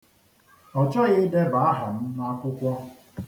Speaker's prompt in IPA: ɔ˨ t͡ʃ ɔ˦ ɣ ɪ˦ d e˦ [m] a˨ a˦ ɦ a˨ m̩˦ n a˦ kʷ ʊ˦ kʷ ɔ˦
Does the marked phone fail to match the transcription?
yes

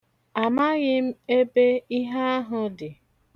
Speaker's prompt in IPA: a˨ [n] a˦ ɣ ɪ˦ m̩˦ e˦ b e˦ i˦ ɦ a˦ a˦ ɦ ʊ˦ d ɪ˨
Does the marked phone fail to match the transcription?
yes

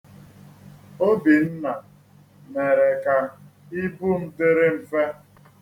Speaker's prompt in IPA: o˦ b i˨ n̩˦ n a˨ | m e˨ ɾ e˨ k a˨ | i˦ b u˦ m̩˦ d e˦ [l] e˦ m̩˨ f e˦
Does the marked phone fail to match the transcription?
yes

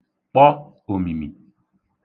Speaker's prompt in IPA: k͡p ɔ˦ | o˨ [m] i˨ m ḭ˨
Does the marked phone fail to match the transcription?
no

